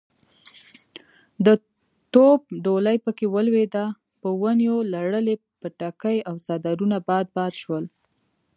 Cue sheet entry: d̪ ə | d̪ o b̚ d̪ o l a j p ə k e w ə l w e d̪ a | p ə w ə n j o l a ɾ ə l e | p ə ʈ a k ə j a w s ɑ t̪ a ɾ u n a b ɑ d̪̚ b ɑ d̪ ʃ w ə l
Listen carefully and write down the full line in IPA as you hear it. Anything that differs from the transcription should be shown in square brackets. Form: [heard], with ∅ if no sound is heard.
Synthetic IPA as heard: d̪ ə | [t̪] o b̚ d̪ o l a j p ə k e w ə l w e d̪ a | p ə w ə n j o l a [ɽ] ə l e | p ə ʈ a k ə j a w s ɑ [d̪] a ɾ u n a b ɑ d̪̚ b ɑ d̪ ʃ w ə l